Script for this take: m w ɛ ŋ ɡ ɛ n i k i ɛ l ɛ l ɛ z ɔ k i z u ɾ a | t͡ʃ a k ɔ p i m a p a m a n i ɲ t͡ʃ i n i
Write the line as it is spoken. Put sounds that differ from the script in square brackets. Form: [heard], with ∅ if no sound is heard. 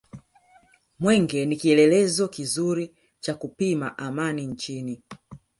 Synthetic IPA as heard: m w ɛ ŋ ɡ ɛ n i k i ɛ l ɛ l ɛ z ɔ k i z u ɾ [i] | t͡ʃ a k [u] p i m a [ʔ] a m a n i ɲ t͡ʃ i n i